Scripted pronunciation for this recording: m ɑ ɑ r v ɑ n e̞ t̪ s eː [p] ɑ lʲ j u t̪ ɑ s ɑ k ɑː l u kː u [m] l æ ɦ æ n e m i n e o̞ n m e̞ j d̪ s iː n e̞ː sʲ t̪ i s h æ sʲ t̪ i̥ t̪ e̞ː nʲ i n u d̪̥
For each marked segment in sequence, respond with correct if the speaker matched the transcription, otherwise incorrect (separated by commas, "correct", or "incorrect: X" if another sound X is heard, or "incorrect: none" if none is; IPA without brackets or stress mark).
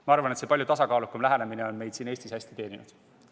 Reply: correct, correct